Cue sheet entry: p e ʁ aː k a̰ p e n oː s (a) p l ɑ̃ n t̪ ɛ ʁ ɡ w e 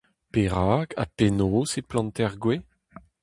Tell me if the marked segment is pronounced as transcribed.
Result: no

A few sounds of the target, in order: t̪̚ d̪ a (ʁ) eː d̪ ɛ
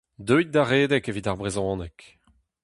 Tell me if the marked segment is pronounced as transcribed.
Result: yes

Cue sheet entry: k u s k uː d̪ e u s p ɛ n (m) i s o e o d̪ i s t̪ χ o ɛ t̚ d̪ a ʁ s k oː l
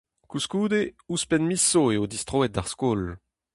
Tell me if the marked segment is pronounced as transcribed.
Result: yes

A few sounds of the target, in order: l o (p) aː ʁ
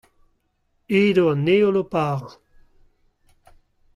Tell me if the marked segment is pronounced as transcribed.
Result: yes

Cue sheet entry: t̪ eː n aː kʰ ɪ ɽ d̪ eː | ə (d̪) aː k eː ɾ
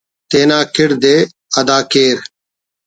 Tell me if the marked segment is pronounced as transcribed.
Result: yes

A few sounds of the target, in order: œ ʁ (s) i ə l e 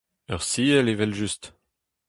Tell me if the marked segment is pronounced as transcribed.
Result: yes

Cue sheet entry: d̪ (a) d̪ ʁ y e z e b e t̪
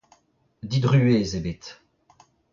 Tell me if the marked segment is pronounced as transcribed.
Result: no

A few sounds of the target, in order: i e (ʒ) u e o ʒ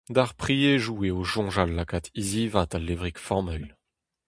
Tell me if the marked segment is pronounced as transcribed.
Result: yes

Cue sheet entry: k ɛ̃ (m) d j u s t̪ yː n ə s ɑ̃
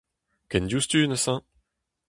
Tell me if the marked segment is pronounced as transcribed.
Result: no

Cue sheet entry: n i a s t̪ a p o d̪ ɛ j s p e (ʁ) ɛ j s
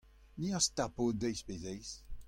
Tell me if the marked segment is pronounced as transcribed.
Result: no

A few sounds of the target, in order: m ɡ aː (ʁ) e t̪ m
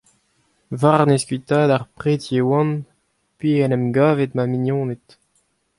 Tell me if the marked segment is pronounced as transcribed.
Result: no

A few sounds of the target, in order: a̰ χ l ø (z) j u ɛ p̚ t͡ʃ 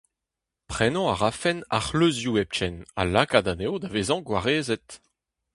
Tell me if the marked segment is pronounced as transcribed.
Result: yes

